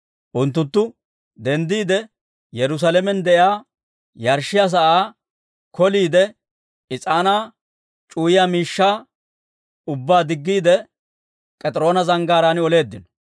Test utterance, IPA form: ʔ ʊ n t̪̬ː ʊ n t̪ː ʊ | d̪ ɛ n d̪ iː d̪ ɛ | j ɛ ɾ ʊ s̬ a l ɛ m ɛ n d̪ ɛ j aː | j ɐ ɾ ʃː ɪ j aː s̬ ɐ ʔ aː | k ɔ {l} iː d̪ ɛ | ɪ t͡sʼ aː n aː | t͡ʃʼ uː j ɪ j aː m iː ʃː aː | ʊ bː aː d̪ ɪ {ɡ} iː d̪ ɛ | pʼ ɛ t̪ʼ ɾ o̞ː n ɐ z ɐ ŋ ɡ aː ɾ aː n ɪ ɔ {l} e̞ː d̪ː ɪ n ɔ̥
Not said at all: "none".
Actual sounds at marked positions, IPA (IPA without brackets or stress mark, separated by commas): l, ɡː, l